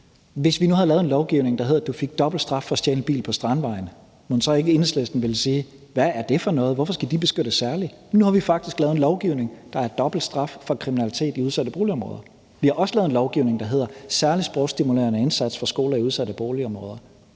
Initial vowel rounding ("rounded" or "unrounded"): unrounded